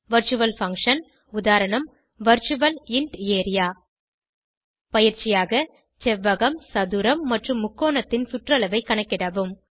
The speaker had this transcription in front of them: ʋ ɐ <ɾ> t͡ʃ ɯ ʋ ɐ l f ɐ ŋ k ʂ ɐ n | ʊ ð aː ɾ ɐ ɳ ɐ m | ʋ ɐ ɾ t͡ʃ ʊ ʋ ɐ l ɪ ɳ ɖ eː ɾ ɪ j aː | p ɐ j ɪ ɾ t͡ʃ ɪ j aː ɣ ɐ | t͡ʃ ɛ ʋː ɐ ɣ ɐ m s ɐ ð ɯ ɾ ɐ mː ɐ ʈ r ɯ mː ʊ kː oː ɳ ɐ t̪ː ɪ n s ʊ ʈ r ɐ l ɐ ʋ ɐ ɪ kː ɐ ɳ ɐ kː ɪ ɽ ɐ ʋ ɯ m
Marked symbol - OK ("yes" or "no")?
yes